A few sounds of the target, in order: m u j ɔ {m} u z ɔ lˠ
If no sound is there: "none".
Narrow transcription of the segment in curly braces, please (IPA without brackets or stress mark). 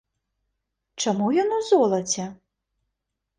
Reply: n